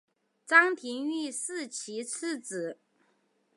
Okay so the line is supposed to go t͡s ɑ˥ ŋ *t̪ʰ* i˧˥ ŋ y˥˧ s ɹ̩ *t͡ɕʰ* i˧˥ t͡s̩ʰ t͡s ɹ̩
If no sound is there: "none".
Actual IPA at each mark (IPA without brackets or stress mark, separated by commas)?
t̪ʰ, t͡ɕʰ